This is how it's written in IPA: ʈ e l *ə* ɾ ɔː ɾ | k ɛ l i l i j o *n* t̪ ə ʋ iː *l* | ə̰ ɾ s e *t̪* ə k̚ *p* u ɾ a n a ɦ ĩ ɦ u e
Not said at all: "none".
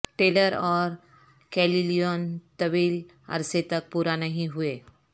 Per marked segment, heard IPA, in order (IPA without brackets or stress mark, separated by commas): ə, n, l, t̪, p